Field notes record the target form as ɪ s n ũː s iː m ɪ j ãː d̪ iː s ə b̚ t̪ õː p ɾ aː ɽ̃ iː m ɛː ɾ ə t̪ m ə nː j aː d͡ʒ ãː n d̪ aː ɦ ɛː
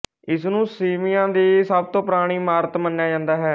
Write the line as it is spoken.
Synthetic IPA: ɪ s n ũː s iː m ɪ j ãː d̪ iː s ə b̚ t̪ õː p ɾ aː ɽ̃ iː m aː ɾ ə t̪ m ə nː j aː d͡ʒ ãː n d̪ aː ɦ ɛː